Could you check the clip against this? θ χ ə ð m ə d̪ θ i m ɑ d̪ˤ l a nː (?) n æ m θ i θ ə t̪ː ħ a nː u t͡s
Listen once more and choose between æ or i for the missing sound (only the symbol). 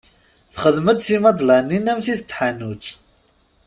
i